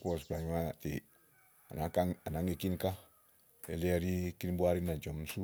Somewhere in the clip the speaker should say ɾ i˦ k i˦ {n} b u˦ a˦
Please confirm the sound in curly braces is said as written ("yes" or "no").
yes